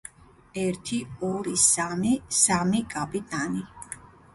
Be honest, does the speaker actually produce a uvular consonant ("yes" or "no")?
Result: no